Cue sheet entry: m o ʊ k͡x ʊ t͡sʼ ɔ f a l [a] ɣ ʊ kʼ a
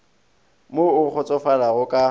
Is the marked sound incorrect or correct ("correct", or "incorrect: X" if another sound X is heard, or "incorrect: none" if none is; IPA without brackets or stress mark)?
correct